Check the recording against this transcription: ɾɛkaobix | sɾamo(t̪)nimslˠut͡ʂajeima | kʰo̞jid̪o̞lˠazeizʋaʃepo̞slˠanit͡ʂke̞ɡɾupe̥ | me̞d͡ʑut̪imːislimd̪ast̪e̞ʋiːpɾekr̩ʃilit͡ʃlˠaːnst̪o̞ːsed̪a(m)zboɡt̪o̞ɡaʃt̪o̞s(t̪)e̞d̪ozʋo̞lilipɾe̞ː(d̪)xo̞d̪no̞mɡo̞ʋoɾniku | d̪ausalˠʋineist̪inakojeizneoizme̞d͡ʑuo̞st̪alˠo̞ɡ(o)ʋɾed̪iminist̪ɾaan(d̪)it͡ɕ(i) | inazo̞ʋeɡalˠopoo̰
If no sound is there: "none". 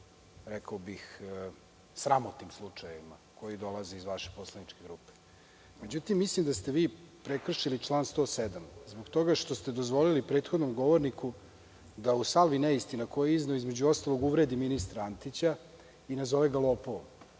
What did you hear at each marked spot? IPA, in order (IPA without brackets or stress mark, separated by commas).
t̪, m, t̪, t̪, u, t̪, a